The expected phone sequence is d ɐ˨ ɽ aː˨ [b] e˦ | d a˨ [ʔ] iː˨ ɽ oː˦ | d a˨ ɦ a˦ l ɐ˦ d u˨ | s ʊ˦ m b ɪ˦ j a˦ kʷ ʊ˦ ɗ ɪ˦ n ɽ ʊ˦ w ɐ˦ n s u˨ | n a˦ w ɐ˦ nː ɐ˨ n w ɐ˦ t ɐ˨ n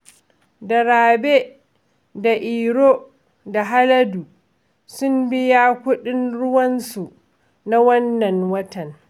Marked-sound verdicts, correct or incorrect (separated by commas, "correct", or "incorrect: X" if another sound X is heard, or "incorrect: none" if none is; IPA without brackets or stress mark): correct, correct